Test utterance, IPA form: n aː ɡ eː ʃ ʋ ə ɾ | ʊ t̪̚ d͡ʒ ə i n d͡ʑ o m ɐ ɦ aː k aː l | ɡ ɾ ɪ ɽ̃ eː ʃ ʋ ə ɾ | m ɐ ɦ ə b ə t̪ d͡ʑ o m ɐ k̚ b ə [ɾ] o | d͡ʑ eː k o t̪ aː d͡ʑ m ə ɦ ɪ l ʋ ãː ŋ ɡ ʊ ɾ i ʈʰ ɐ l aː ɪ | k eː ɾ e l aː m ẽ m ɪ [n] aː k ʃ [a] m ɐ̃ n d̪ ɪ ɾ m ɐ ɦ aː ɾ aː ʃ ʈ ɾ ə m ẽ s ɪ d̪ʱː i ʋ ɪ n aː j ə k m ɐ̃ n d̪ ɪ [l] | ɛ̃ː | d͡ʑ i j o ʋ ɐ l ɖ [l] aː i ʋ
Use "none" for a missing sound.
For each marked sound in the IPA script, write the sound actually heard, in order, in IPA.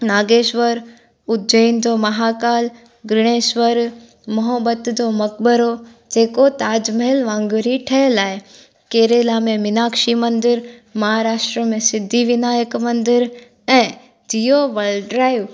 ɾ, n, i, ɾ, ɾ

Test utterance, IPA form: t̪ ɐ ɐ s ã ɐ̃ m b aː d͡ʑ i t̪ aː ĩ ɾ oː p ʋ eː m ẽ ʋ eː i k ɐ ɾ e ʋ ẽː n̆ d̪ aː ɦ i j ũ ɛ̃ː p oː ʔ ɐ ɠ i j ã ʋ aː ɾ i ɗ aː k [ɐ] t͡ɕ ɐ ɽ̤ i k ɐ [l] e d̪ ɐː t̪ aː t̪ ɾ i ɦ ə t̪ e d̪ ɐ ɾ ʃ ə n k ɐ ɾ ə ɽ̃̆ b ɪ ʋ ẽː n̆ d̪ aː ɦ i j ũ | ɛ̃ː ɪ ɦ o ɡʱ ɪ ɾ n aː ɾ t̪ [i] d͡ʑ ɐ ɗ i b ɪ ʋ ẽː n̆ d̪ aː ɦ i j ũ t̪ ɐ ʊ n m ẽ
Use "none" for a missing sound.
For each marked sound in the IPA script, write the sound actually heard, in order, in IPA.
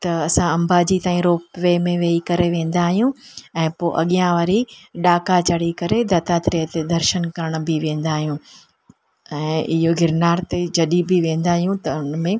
a, ɾ, e

